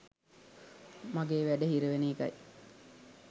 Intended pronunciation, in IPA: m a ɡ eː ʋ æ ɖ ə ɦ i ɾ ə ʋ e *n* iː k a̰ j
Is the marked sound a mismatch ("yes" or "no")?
no